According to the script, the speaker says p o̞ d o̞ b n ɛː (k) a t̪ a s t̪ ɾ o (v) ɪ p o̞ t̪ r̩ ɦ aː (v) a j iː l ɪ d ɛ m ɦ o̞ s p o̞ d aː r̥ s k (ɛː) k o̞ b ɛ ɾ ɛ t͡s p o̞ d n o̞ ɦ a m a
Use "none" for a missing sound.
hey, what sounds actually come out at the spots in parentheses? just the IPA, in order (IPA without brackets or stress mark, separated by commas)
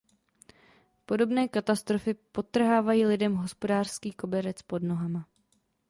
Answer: k, f, v, iː